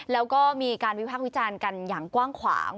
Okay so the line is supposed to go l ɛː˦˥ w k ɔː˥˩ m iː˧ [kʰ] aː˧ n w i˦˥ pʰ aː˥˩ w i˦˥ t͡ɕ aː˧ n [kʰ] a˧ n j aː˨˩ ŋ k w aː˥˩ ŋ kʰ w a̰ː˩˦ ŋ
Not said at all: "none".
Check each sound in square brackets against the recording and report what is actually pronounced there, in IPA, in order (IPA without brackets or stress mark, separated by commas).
k, k